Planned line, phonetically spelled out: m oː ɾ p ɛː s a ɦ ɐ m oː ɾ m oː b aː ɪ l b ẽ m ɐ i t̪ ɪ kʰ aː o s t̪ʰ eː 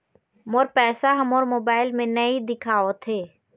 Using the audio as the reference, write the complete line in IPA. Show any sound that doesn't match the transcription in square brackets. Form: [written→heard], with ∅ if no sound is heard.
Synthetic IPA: m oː ɾ p ɛː s a ɦ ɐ m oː ɾ m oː b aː ɪ l [b→m] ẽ [m→n] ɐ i [t̪→d̪] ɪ kʰ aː o [s→∅] t̪ʰ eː